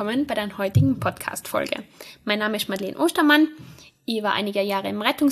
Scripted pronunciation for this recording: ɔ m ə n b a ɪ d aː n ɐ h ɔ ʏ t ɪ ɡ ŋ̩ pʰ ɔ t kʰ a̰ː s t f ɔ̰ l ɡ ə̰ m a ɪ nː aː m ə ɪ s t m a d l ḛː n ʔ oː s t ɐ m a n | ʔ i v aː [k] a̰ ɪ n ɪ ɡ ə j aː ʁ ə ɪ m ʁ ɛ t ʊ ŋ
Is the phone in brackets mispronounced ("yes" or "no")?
yes